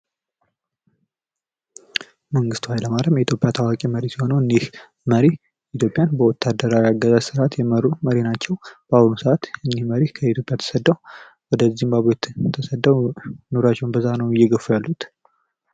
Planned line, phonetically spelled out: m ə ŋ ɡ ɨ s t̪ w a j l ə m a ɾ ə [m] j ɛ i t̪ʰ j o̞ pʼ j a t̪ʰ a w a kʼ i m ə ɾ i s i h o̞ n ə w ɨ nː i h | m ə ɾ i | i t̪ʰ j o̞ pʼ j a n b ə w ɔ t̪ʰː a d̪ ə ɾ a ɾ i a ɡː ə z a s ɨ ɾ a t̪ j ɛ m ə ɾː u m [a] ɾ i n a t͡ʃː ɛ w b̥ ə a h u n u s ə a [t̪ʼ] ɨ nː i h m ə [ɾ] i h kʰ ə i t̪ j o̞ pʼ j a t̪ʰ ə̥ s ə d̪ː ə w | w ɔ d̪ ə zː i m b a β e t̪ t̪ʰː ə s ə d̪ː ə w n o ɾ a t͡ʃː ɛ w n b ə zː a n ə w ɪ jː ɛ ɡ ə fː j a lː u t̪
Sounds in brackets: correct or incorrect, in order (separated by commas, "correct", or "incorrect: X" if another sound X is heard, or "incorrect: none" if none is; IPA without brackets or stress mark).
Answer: correct, incorrect: ə, incorrect: t̪, correct